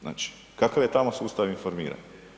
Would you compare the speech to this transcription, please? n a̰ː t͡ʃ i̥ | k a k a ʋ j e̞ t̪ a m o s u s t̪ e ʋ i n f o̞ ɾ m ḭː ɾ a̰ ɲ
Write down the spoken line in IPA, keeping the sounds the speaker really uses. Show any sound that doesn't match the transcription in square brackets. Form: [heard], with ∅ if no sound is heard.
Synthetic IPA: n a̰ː t͡ʃ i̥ | k a k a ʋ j e̞ t̪ a m o s [uː] s t̪ [a] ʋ i n f o̞ ɾ m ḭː ɾ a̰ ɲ